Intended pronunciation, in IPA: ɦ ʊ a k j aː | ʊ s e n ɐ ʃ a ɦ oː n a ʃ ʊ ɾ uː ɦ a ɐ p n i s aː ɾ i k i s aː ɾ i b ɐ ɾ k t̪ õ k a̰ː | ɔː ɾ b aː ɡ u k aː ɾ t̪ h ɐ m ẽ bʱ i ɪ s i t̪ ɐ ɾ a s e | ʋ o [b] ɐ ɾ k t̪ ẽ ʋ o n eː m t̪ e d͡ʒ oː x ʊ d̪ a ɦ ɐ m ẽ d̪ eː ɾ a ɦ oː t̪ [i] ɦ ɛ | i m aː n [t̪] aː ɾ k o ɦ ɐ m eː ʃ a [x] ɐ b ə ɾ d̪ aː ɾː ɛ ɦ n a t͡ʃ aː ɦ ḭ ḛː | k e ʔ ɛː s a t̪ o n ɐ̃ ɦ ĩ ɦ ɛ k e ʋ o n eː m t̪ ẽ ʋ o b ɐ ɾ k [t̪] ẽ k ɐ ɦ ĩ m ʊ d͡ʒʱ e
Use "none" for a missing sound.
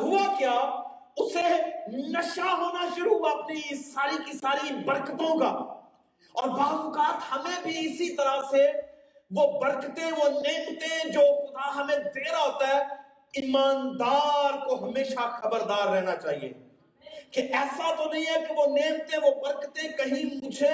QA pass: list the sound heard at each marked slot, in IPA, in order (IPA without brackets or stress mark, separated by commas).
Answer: b, a, d̪, x, t̪